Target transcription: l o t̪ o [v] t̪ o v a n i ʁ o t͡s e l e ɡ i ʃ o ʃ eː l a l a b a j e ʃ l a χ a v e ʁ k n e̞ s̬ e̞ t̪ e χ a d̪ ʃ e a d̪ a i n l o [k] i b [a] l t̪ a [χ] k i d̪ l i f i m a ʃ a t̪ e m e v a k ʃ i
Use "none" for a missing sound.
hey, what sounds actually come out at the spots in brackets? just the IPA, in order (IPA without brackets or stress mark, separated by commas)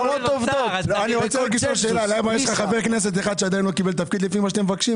v, k, e, f